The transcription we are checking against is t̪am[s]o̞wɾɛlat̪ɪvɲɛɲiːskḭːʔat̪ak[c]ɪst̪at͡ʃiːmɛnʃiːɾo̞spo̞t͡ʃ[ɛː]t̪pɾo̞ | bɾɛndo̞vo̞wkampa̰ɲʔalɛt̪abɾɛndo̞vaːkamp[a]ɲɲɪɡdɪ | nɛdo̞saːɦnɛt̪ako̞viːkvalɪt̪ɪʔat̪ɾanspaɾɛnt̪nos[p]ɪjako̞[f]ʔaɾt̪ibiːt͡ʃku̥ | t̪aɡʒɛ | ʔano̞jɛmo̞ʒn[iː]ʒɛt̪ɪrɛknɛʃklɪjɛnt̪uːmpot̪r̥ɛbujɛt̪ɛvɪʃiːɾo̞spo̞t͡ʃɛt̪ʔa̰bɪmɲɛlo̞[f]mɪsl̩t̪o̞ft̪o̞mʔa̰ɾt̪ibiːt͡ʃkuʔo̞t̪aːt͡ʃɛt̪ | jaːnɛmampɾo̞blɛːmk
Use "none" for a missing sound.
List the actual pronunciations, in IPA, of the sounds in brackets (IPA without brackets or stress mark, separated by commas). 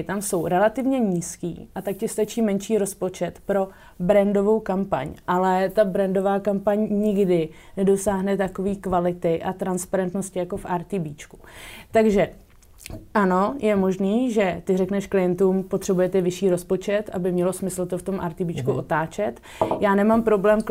s, c, ɛ, a, c, f, iː, s